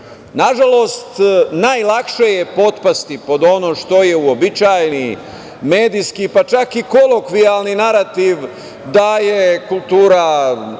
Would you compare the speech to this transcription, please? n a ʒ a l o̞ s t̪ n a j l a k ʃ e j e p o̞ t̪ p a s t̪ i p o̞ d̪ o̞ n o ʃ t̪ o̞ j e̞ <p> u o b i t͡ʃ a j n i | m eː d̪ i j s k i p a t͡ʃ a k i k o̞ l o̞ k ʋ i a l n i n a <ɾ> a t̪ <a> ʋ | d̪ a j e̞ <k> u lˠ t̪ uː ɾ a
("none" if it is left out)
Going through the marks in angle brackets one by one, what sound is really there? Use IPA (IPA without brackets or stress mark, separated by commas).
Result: none, ɾ, i, k